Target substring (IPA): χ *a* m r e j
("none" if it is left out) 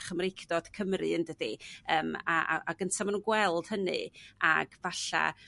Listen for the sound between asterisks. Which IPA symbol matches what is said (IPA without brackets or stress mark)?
ə